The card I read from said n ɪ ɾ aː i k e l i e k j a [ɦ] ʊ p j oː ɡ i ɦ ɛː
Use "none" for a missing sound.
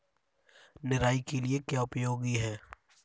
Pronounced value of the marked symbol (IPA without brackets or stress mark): none